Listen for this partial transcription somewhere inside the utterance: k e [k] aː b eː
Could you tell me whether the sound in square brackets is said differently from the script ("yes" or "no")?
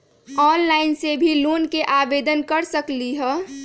yes